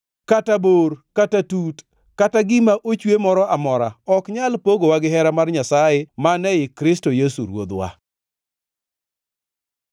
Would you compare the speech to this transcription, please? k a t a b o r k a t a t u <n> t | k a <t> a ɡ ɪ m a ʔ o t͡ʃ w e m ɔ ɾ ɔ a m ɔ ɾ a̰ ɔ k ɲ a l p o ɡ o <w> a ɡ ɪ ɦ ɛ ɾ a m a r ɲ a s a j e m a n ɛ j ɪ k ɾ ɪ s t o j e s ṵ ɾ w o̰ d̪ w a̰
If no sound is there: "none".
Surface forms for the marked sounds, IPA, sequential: none, t, w

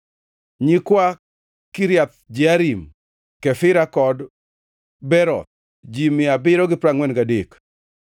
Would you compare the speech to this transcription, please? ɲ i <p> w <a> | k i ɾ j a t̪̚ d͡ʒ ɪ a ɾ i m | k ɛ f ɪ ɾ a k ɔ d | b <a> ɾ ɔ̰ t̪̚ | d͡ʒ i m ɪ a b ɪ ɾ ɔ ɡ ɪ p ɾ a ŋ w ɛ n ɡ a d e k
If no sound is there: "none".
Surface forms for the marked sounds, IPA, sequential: k, a, ɛ

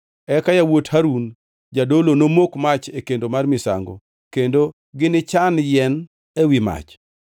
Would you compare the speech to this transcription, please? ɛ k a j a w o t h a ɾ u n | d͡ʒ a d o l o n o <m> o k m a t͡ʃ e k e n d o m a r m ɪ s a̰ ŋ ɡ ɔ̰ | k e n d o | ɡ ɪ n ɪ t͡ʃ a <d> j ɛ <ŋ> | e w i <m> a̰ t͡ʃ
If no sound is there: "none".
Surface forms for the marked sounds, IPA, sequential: m, n, n, m

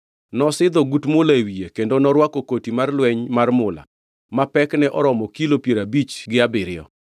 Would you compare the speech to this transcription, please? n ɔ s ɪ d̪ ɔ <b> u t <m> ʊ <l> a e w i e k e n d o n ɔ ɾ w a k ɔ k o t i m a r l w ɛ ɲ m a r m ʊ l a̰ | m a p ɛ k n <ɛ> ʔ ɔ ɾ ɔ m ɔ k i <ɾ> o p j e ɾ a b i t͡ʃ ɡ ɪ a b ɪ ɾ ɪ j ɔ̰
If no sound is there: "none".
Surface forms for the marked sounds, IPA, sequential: ɡ, m, l, ɛ, l

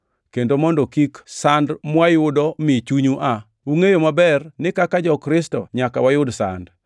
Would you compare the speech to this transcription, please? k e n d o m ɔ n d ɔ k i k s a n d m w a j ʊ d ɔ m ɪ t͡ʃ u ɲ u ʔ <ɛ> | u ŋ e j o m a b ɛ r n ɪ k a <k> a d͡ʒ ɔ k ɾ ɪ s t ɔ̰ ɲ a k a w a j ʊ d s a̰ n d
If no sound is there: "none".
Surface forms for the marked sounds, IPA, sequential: a, k

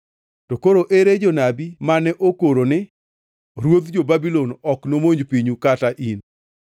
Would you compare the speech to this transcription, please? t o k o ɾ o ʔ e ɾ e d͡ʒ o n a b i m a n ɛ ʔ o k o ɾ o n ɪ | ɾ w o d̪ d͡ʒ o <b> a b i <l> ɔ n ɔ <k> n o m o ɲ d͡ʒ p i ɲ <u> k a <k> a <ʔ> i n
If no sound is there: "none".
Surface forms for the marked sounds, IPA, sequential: b, l, k, u, t, ʔ

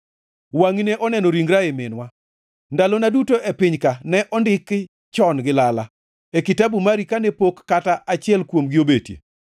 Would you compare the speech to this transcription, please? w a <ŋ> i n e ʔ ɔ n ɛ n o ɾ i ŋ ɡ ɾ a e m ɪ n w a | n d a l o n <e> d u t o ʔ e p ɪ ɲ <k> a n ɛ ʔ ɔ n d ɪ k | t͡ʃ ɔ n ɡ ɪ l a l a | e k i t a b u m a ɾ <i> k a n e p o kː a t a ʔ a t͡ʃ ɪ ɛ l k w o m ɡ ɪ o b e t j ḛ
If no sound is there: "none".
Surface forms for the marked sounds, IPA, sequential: ŋ, a, k, i

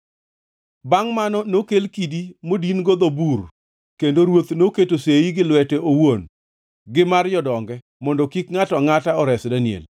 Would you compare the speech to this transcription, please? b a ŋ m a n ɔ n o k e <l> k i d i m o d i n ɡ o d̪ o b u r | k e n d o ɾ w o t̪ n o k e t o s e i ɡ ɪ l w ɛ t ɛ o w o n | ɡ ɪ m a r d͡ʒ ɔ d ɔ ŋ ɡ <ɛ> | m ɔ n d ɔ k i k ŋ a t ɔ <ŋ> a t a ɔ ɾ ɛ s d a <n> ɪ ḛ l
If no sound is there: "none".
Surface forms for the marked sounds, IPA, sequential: l, ɛ, ŋ, n

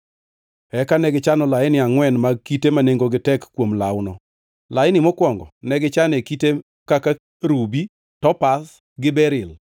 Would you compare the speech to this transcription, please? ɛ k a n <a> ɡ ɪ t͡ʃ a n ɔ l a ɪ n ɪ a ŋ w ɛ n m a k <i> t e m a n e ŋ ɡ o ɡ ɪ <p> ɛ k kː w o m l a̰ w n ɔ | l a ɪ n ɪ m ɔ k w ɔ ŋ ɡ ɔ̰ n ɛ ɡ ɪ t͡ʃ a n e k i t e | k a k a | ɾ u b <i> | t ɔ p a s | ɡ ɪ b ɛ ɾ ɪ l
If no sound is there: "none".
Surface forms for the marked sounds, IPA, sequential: ɛ, i, t, i

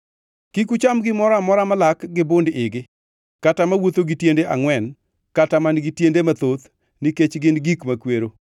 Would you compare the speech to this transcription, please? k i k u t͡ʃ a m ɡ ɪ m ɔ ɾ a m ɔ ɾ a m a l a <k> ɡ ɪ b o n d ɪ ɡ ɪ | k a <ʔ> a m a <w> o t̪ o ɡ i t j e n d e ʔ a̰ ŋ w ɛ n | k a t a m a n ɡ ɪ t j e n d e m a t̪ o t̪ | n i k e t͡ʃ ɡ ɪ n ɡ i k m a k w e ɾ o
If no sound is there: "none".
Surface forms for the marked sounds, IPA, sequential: k, t, w

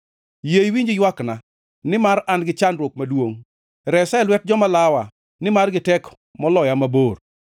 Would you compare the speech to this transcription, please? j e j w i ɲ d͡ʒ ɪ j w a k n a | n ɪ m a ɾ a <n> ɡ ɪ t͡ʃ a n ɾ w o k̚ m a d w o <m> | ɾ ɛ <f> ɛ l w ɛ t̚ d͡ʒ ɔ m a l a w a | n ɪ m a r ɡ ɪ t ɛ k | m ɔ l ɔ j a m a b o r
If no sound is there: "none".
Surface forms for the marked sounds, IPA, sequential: n, ŋ, s

